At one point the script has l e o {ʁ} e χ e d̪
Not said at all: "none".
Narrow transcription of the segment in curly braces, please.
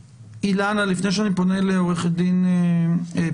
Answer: ʁ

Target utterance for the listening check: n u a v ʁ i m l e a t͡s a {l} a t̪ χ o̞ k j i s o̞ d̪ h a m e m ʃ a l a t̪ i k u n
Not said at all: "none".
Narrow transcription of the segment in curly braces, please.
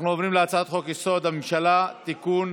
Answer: none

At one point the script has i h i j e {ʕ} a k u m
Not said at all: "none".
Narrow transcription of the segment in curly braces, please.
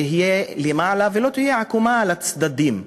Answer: ʕ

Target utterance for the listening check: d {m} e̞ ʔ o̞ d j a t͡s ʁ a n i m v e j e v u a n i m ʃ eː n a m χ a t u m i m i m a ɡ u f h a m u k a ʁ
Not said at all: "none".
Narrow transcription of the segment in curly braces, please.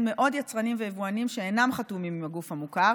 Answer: m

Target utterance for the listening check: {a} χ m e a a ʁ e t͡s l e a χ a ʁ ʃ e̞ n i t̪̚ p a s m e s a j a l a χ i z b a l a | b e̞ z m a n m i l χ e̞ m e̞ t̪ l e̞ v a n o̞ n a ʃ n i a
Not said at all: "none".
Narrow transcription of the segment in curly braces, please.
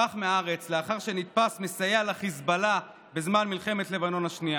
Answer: a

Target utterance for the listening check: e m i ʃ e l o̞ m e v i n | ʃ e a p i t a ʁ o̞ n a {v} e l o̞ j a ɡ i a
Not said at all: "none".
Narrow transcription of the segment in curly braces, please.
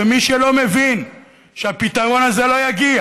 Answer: z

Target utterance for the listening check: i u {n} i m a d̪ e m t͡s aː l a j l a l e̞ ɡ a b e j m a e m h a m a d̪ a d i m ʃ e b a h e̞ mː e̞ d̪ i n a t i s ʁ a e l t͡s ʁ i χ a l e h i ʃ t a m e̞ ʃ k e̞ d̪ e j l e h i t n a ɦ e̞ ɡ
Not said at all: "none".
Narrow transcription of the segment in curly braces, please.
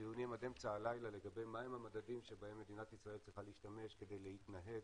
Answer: n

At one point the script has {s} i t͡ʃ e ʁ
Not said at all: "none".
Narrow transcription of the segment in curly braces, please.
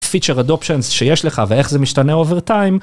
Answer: f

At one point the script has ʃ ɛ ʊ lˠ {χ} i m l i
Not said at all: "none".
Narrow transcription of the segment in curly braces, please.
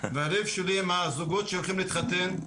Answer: χ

